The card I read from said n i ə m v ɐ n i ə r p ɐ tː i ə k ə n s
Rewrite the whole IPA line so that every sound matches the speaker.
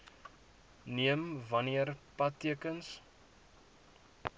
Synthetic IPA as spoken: n i ə m v ɐ n i ə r p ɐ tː i ə k ə n s